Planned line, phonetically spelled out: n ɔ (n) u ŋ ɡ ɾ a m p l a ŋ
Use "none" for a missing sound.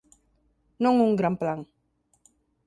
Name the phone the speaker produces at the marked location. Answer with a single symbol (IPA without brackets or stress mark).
ŋ